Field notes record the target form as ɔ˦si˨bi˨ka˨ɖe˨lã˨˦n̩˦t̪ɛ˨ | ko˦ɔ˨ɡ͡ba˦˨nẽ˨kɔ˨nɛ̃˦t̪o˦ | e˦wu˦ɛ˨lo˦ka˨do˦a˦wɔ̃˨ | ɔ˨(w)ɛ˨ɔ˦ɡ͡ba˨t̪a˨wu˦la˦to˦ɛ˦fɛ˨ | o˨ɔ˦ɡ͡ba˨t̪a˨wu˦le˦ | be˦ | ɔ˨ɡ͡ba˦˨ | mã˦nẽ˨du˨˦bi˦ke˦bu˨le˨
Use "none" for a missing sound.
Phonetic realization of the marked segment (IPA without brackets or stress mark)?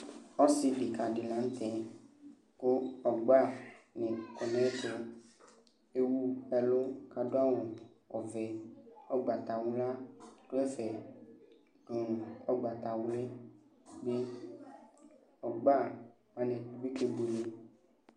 v